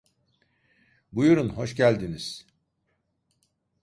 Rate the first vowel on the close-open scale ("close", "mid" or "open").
close